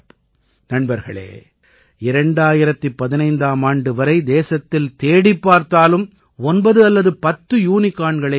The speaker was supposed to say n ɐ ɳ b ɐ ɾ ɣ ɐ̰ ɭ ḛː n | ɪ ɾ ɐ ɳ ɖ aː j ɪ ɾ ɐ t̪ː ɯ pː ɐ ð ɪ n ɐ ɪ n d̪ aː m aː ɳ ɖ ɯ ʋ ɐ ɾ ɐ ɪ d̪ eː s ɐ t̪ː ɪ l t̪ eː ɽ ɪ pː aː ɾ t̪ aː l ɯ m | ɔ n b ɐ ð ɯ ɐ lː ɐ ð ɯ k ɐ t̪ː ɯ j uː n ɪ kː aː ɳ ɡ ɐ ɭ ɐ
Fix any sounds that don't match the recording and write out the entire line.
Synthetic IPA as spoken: n ɐ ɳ b ɐ ɾ ɣ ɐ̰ ɭ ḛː | ɪ ɾ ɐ ɳ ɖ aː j ɪ ɾ ɐ t̪ː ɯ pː ɐ ð ɪ n ɐ ɪ n d̪ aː m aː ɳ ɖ ɯ ʋ ɐ ɾ ɐ ɪ d̪ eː s ɐ t̪ː ɪ l t̪ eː ɽ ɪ pː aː ɾ t̪ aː l ɯ m | ɔ n b ɐ ð ɯ ɐ lː ɐ ð ɯ p ɐ t̪ː ɯ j uː n ɪ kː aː ɳ ɡ ɐ ɭ ɐ